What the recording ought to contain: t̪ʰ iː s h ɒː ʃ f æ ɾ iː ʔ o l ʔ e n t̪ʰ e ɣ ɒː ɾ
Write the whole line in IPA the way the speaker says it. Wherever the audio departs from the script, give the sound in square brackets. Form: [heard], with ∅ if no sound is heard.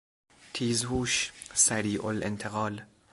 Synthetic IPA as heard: t̪ʰ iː [z] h [uː] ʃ [s] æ ɾ iː ʔ o l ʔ e n t̪ʰ e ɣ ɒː [l]